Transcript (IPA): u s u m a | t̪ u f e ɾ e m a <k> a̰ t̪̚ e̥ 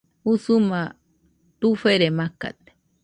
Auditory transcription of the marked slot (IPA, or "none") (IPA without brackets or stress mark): k